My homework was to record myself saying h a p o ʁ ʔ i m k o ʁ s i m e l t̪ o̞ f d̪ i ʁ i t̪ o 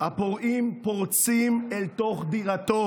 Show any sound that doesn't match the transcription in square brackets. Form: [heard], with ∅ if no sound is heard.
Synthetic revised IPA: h a p o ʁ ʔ i m [p] o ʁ [t͡s] i m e l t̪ o̞ [χ] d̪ i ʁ [a] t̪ o

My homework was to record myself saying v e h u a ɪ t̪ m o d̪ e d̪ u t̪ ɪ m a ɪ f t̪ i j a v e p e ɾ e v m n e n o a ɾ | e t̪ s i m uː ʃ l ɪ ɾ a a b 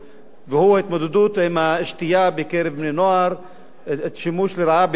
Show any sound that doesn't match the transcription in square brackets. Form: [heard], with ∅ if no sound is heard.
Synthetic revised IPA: v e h u a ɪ t̪ m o d̪ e d̪ u t̪ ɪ m a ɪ [ʃ] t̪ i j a [b] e [k] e ɾ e v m n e n o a ɾ | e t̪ [ʃ] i m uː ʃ l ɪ ɾ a a b

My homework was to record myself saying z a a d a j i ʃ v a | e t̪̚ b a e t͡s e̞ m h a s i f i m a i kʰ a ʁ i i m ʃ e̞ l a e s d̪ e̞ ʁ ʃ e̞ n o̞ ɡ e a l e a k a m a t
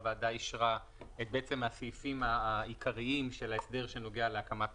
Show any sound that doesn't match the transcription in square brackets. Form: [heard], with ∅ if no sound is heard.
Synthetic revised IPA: [v] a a d a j i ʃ [ʁ] a | e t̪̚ b [e] e t͡s e̞ m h a s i f i m a i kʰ a ʁ i i m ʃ e̞ l a e s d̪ e̞ ʁ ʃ e̞ n o̞ ɡ e a l e a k a m a t

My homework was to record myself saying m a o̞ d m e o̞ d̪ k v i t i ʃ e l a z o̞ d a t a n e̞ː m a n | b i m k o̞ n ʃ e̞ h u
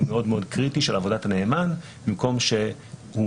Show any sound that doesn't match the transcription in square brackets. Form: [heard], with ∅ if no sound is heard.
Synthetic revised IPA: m [e] o̞ d m e o̞ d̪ k [ʁ] i t i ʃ e l a [v] o̞ d a t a n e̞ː m a n | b i m k o̞ [m] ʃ e̞ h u

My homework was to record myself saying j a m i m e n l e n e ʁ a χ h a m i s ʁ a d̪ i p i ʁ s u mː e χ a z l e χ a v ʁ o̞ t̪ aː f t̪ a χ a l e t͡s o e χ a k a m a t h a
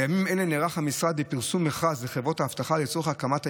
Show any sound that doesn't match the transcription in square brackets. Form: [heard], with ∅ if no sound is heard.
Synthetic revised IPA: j a m i m e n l e n e ʁ a χ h a m i s ʁ a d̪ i p i ʁ s u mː e χ a z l e χ [e] v ʁ o̞ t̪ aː f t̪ a χ a l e t͡s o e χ a k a m a t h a

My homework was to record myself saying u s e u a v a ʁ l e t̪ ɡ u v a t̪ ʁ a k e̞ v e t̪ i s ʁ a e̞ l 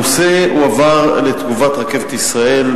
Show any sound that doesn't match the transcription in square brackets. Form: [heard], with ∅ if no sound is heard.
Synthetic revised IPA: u s e u a v a ʁ l e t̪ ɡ u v a t̪ ʁ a k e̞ v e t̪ i s ʁ a e̞ l

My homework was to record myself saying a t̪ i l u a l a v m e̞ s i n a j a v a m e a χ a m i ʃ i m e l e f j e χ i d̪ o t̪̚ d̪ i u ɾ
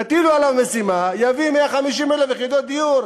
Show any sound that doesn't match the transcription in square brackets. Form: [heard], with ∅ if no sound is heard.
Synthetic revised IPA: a t̪ i l u a l a v m e̞ s i [m] a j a v [i] m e a χ a m i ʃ i m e l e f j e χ i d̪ o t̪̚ d̪ i u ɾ

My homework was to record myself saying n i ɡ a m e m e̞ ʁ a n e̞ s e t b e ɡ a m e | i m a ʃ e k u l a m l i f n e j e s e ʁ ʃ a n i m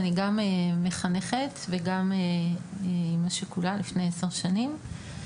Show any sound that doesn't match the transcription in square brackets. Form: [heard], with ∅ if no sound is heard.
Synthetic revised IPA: n i ɡ a m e m e̞ [χ] a n e̞ [χ] e t [v] e ɡ a m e | i m a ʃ e k u l a [∅] l i f n e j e s e ʁ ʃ a n i m

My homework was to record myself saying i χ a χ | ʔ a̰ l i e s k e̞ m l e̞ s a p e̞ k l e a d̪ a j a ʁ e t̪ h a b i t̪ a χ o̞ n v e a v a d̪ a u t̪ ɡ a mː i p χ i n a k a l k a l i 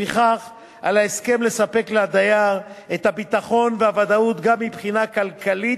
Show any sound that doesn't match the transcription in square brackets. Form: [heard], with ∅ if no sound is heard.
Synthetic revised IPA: i χ a χ | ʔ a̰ l [a] e s k e̞ m l e̞ s a p e̞ k l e a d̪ a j a ʁ e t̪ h a b i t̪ a χ o̞ n v e a v a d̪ a u t̪ ɡ a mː i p χ i n a k a l k a l i

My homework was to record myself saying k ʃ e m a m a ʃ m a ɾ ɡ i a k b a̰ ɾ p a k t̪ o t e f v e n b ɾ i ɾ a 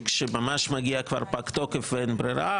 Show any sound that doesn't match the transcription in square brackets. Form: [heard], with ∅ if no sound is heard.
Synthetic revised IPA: k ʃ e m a m a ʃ m a [∅] ɡ i a k [v] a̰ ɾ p a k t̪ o [k] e f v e n b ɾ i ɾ a

